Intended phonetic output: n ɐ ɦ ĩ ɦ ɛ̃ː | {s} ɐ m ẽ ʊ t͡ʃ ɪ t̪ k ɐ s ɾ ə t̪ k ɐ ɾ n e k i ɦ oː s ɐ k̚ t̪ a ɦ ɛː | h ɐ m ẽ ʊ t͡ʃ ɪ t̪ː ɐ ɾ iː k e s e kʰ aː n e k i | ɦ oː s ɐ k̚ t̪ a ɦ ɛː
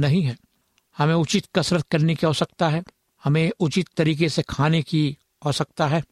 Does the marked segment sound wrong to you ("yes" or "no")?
yes